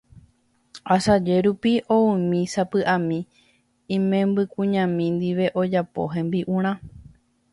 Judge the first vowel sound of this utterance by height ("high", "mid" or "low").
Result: low